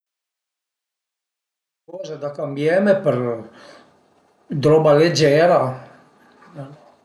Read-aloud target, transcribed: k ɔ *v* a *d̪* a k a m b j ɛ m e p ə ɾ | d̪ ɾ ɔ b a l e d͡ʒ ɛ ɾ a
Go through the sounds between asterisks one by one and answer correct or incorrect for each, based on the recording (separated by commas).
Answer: incorrect, correct